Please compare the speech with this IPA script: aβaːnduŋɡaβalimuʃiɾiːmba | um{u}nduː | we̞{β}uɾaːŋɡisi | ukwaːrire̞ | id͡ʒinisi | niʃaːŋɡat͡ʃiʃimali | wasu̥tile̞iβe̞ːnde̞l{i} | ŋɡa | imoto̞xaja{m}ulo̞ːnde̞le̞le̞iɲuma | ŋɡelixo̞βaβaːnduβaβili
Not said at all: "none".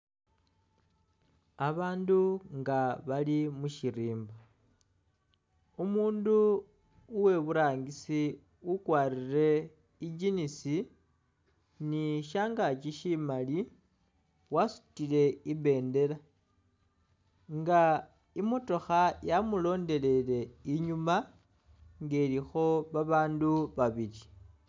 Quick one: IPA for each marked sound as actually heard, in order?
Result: uː, β, a, m

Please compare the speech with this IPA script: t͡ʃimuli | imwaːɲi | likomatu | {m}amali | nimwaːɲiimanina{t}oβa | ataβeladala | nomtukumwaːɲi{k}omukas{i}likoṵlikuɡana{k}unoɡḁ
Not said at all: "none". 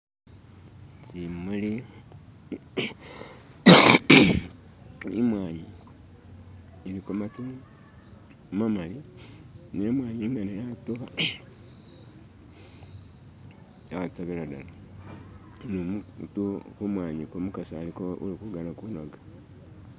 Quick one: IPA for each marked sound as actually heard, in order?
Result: m, t, k, a, k

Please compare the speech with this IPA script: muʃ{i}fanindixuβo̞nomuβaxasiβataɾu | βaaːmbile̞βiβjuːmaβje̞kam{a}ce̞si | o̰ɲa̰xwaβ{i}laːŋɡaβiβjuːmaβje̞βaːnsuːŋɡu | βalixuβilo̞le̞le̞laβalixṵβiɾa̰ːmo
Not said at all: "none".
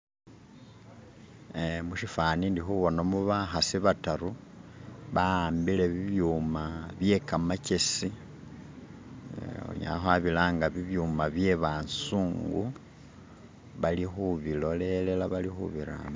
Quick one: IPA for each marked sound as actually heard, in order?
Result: i, a, i

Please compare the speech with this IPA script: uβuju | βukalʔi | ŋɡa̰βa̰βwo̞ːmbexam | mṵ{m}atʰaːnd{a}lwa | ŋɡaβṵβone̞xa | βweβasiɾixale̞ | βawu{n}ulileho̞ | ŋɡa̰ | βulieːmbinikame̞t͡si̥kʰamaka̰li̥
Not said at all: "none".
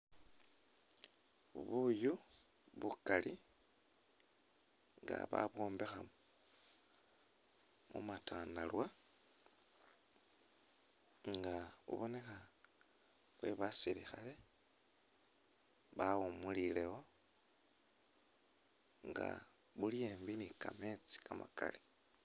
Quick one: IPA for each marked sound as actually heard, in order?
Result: m, a, m

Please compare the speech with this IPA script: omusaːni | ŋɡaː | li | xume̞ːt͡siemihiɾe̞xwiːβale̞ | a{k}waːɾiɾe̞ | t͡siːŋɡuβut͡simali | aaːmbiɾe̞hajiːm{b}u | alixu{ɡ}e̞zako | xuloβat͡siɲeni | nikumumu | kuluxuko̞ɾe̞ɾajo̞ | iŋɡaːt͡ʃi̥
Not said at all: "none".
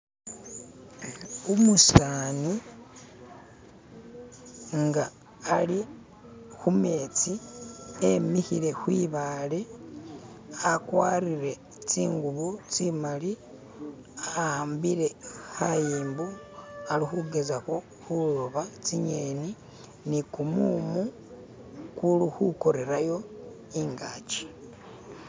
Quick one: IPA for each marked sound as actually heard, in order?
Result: k, b, ɡ

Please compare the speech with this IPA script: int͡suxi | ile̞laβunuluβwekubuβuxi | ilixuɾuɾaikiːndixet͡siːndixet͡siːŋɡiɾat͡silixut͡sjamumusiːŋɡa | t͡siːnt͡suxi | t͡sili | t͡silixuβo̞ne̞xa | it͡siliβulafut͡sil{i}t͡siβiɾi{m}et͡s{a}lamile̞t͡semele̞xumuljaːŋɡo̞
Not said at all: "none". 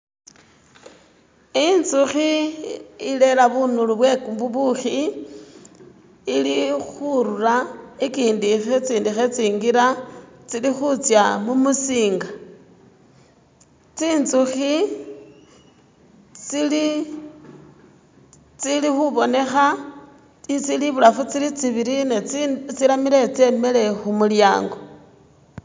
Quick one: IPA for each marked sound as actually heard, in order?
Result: i, n, i

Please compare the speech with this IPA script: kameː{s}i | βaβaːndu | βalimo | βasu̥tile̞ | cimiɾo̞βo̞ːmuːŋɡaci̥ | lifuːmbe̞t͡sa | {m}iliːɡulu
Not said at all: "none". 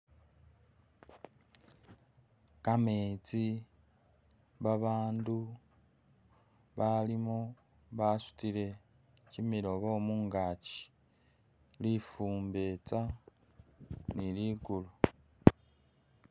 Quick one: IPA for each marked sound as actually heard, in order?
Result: t͡s, n

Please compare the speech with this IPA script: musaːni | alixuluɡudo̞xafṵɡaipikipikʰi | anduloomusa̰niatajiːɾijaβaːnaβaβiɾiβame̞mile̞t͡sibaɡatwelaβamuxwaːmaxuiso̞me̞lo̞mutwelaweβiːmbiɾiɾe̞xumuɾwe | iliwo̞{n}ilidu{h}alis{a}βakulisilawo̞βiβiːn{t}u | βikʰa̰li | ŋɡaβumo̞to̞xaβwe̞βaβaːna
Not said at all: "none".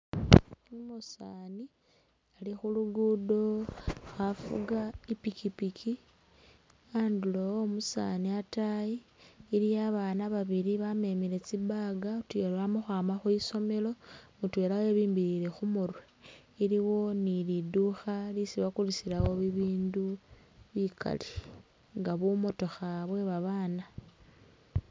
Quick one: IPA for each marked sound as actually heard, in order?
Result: n, x, i, d

